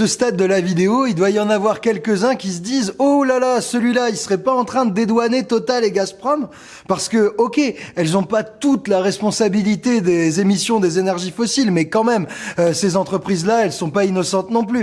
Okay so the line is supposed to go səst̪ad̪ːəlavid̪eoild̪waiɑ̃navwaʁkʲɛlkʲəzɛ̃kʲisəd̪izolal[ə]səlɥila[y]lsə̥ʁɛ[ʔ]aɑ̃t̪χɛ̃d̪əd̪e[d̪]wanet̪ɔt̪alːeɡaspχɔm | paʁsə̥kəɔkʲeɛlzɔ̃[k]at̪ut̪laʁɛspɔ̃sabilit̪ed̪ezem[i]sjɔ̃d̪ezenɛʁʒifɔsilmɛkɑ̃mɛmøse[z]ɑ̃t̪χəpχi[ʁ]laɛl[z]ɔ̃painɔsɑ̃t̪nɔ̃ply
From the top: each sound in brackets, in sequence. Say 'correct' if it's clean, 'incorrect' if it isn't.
incorrect: a, incorrect: i, incorrect: p, correct, incorrect: p, correct, correct, incorrect: z, incorrect: s

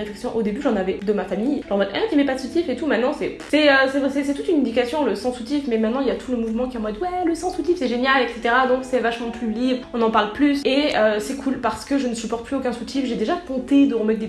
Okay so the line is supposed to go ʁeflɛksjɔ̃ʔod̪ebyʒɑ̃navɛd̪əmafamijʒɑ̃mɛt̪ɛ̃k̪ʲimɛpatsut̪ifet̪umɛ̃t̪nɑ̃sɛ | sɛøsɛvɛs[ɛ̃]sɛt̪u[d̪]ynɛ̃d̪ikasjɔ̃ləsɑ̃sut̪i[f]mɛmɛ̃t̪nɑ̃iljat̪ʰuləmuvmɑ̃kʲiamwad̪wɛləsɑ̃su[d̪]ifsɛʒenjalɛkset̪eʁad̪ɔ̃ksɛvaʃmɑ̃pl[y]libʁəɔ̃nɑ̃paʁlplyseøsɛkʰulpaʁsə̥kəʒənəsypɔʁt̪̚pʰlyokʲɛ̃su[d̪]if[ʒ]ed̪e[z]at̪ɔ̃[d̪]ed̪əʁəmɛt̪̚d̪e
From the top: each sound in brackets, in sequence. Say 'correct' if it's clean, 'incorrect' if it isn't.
incorrect: ɛ, incorrect: t̪, correct, incorrect: t̪, correct, incorrect: t̪, correct, incorrect: ʒ, incorrect: t̪

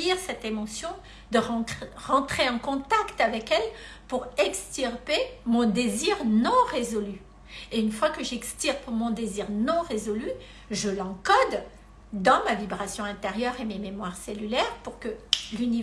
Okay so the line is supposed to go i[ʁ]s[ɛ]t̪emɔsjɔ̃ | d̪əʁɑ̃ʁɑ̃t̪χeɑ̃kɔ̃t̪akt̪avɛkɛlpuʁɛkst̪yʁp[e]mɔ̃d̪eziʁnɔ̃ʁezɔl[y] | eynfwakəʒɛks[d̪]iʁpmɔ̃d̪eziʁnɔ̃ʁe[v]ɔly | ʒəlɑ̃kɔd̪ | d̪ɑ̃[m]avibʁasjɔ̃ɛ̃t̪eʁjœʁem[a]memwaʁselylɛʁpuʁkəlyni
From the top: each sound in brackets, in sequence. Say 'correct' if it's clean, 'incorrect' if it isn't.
correct, correct, correct, correct, incorrect: t̪, incorrect: z, correct, incorrect: e

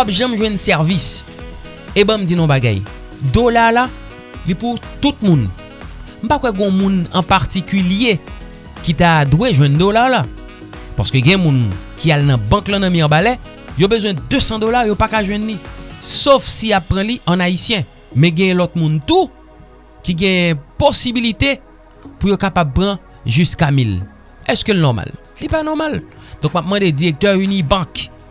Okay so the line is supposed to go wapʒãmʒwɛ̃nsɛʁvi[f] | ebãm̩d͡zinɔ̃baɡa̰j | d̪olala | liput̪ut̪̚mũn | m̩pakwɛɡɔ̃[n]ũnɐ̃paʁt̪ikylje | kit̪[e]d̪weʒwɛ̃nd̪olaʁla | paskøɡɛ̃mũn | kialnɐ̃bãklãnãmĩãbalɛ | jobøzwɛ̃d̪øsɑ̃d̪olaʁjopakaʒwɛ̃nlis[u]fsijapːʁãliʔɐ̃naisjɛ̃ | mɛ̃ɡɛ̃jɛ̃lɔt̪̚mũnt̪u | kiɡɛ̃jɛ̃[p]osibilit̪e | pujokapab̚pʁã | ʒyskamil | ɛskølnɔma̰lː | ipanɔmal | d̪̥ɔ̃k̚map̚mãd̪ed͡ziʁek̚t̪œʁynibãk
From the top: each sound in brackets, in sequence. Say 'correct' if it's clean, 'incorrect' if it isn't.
incorrect: s, incorrect: m, incorrect: a, incorrect: o, correct

